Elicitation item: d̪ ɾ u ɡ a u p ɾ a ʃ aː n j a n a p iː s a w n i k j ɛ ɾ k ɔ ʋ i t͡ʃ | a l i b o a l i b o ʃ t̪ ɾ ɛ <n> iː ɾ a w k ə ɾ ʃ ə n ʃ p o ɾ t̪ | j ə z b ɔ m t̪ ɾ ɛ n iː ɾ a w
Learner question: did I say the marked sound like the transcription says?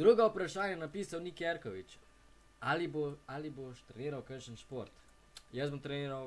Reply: yes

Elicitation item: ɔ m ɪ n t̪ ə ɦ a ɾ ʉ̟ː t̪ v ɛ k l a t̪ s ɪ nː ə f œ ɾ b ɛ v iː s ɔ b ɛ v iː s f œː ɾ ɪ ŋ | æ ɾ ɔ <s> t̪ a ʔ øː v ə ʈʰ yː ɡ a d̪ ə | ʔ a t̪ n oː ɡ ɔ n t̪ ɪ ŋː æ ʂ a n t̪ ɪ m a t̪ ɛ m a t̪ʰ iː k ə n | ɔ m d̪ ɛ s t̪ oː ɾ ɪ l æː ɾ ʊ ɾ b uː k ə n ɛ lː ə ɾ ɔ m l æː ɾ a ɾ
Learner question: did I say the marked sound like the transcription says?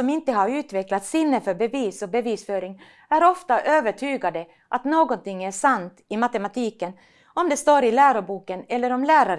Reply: no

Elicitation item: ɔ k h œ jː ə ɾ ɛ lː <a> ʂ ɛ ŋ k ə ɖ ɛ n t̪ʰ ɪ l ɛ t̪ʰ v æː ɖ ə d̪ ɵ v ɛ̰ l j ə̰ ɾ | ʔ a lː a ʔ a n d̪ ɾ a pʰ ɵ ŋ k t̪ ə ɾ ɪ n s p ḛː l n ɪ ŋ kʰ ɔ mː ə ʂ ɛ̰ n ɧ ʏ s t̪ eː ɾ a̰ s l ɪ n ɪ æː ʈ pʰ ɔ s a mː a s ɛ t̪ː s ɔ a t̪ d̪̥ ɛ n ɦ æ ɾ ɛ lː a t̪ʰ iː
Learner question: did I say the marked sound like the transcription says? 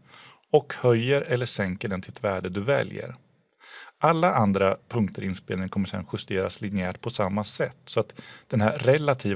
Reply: no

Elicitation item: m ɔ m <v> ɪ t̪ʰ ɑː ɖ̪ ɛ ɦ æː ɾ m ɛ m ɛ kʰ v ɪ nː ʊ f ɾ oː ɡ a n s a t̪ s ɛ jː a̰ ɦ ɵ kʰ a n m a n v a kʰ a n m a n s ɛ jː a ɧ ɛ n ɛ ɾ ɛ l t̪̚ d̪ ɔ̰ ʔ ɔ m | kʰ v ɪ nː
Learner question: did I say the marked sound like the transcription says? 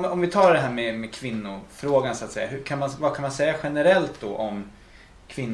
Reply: yes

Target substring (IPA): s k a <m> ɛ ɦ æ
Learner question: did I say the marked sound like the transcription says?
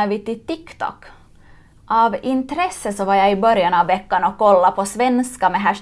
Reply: yes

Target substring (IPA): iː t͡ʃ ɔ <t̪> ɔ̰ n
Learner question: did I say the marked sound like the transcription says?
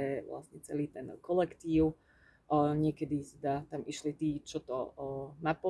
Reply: yes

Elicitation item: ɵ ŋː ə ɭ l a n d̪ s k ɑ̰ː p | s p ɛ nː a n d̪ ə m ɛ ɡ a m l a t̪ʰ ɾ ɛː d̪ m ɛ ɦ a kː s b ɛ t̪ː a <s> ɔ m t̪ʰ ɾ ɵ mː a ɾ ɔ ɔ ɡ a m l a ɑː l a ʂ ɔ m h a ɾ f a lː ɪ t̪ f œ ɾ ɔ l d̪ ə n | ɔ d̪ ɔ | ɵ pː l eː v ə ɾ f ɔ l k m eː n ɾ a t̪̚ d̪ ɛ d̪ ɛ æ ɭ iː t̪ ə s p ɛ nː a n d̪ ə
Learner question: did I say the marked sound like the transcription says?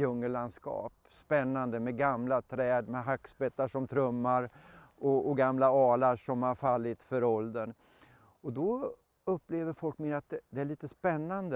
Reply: no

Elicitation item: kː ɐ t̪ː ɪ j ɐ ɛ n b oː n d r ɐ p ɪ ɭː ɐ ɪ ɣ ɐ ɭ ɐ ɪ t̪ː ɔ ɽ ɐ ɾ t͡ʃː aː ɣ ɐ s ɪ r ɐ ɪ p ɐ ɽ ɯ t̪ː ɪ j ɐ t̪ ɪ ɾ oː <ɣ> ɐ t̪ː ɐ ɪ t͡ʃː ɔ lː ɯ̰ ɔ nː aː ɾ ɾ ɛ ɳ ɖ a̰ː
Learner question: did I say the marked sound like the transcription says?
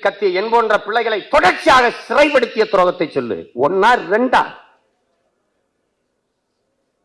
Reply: yes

